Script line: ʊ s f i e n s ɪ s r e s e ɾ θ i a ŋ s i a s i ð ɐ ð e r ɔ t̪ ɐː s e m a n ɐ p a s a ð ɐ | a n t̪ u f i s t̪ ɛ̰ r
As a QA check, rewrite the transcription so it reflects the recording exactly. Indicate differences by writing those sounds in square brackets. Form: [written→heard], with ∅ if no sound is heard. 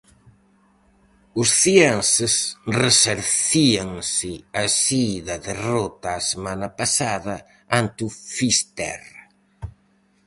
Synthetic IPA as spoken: ʊ s [f→θ] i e n s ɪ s r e s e ɾ θ i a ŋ s [i→ɪ] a s i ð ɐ ð e r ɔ t̪ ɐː s e m a n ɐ p a s a ð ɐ | a n t̪ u f i s t̪ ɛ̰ r